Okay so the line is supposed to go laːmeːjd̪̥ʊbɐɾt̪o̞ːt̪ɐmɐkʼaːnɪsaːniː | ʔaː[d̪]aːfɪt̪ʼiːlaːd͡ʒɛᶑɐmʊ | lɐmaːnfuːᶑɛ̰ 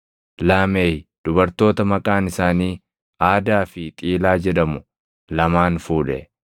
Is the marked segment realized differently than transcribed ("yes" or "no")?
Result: no